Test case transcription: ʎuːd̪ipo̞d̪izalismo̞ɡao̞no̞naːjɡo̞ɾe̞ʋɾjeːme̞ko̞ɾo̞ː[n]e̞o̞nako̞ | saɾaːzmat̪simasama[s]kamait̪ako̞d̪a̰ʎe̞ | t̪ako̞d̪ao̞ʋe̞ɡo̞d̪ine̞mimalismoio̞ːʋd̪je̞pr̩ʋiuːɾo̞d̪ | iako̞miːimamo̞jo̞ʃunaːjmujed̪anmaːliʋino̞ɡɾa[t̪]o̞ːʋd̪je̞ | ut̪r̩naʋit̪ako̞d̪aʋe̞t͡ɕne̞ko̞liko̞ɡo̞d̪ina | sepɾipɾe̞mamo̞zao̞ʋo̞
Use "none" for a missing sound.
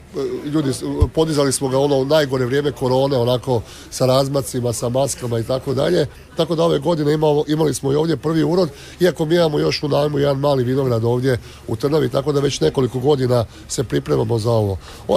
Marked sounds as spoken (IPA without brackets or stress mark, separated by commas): n, s, d̪